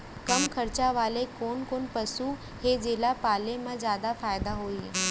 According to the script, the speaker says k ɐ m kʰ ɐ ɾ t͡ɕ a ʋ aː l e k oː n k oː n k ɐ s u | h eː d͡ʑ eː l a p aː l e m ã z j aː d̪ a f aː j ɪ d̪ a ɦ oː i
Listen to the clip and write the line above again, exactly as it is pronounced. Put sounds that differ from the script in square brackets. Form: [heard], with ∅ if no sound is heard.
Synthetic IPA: k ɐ m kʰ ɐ ɾ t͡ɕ a ʋ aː l e k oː n k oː n [p] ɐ s u | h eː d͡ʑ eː l a p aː l e m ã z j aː d̪ a f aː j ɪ d̪ a ɦ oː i